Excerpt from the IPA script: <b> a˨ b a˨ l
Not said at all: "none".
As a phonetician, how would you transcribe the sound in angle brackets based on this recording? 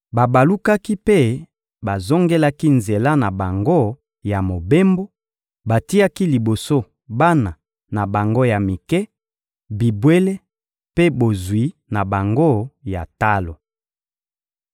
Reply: b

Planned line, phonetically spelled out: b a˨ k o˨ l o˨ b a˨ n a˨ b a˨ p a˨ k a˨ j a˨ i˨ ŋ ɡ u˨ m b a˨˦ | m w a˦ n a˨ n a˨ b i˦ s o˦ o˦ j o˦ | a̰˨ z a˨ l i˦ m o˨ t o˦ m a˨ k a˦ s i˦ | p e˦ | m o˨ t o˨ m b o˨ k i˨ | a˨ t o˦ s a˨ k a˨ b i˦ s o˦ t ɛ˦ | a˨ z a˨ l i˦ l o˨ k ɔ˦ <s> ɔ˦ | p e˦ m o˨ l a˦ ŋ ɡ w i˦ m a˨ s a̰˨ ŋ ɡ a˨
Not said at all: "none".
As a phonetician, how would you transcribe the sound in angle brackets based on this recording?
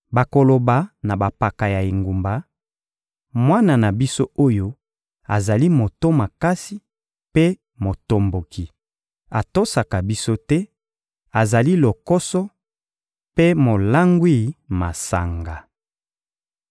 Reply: s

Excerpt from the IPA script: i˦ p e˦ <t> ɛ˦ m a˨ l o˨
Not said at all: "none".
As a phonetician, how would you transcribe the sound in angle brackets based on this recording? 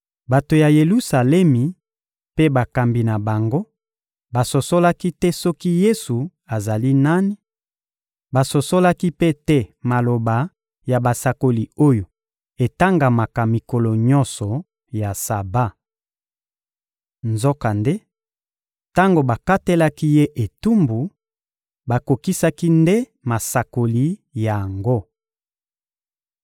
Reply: t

